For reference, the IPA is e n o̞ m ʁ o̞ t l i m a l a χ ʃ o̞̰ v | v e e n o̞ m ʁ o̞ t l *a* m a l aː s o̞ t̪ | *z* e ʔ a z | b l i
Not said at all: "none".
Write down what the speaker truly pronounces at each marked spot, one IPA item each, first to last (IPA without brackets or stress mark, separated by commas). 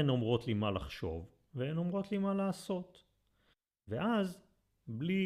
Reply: i, v